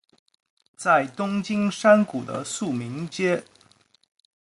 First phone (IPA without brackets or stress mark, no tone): t͡s